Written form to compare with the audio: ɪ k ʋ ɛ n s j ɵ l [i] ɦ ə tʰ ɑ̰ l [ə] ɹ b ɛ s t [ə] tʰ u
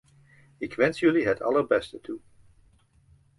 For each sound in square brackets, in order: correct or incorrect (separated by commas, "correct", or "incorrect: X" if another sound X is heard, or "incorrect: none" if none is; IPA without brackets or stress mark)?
correct, correct, correct